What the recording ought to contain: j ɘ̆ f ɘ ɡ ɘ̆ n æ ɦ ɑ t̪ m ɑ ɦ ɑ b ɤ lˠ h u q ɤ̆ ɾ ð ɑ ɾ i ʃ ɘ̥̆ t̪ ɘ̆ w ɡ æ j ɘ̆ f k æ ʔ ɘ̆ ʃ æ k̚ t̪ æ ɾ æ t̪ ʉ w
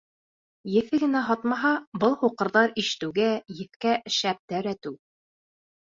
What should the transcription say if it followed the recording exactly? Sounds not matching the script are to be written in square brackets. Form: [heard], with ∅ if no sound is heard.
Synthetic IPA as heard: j ɘ̆ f ɘ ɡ ɘ̆ n æ ɦ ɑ t̪ m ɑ ɦ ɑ b ɤ lˠ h u q ɤ̆ ɾ ð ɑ ɾ i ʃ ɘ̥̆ t̪ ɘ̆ w ɡ æ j ɘ̆ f k æ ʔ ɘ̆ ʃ æ [p̚] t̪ æ ɾ æ t̪ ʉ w